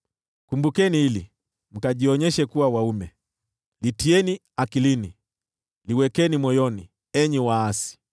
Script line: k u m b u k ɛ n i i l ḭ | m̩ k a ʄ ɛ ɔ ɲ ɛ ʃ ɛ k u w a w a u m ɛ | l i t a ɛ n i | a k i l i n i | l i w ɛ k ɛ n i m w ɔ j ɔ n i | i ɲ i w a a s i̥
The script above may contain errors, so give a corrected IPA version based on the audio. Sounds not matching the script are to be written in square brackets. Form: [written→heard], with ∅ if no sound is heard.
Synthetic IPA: k u m b u k ɛ n i i l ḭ | m̩ k a ʄ [ɛ→i] ɔ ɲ ɛ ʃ ɛ k u w a w a u m ɛ | l i t [a→i] ɛ n i | a k i l i n i | l i w ɛ k ɛ n i m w ɔ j ɔ n i | [i→ɛ] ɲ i w a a s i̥

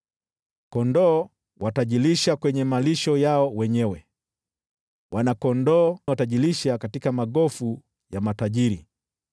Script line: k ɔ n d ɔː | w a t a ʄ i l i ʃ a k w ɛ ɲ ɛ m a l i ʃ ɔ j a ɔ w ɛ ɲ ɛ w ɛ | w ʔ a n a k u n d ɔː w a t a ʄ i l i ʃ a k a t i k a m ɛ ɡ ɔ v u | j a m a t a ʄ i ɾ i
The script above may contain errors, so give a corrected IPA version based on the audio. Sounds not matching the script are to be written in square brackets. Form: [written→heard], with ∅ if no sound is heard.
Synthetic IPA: k ɔ n d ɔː | w a t a ʄ i l i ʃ a k w ɛ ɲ ɛ m a l i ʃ ɔ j a ɔ w ɛ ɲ ɛ w ɛ | w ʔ a n a k [u→ɔ] n d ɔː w a t a ʄ i l i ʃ a k a t i k a m [ɛ→a] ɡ ɔ [v→f] u | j a m a t a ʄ i ɾ i

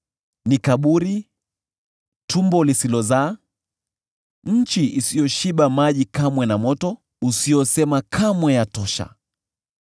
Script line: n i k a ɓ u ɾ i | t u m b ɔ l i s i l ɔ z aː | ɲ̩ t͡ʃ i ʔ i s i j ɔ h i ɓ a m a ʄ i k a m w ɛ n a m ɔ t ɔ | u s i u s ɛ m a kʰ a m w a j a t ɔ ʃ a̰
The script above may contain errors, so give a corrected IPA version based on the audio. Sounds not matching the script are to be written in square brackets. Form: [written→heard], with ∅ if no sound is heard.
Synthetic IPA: n i k a ɓ u ɾ i | t u m b ɔ l i s i l ɔ z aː | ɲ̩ t͡ʃ i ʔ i s i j ɔ [h→ʃ] i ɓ a m a ʄ i k a m w ɛ n a m ɔ t ɔ | u s i [u→ɔ] s ɛ m a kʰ a m w [a→ɛ] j a t ɔ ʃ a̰

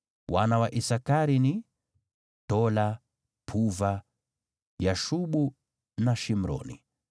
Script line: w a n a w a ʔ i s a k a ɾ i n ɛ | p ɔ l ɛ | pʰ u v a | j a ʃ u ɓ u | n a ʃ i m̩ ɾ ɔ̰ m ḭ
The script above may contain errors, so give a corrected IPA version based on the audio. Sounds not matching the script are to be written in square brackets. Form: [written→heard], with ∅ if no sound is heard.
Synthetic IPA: w a n a w a ʔ i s a k a ɾ i n [ɛ→i] | [p→t] ɔ l [ɛ→a] | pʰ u v a | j a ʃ u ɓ u | n a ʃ i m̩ ɾ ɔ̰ [m→n] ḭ

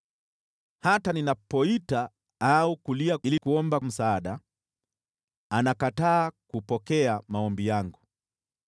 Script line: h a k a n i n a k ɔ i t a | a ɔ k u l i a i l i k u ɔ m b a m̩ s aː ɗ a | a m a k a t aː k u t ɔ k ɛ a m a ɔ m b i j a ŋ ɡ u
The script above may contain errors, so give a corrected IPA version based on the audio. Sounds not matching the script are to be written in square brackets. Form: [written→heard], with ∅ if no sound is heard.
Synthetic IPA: h a [k→t] a n i n a [k→p] ɔ i t a | a [ɔ→u] k u l i a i l i k u ɔ m b a m̩ s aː ɗ a | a [m→n] a k a t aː k u [t→p] ɔ k ɛ a m a ɔ m b i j a ŋ ɡ u

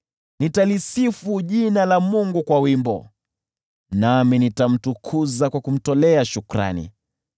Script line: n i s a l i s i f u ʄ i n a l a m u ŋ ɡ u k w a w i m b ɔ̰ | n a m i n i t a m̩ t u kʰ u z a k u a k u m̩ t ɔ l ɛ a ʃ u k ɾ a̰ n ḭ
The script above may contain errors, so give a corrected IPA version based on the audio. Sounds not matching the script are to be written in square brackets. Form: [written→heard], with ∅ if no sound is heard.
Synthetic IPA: n i [s→t] a l i s i f u ʄ i n a l a m u ŋ ɡ u k w a w i m b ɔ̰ | n a m i n i t a m̩ t u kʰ u z a k [u→w] a k u m̩ t ɔ l ɛ a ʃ u k ɾ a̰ n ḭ

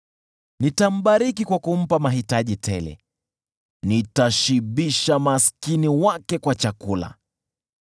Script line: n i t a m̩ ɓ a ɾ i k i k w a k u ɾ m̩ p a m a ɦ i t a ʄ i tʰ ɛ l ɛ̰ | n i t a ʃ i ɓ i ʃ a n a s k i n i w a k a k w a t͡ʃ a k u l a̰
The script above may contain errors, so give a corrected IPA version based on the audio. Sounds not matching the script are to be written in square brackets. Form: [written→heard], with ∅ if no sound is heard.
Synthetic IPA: n i t a m̩ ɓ a ɾ i k i k w a k u [ɾ→∅] m̩ p a m a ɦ i t a ʄ i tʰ ɛ l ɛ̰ | n i t a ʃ i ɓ i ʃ a [n→m] a s k i n i w a k [a→ɛ] k w a t͡ʃ a k u l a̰

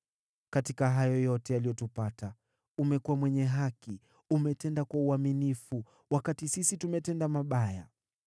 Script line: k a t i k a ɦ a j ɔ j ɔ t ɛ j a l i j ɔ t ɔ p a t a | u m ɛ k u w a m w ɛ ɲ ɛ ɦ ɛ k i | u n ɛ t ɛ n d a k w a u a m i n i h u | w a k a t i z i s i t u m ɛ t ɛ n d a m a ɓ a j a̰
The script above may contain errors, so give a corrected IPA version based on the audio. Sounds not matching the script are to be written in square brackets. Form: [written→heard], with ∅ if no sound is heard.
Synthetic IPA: k a t i k a ɦ a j ɔ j ɔ t ɛ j a l i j ɔ t [ɔ→u] p a t a | u m ɛ k u w a m w ɛ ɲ ɛ ɦ [ɛ→a] k i | u [n→m] ɛ t ɛ n d a k w a u a m i n i [h→f] u | w a k a t i [z→s] i s i t u m ɛ t ɛ n d a m a ɓ a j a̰

